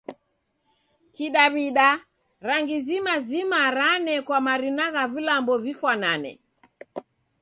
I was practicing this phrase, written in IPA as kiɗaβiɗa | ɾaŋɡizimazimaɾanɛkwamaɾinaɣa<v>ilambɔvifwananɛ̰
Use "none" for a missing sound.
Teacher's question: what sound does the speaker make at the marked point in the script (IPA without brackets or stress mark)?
v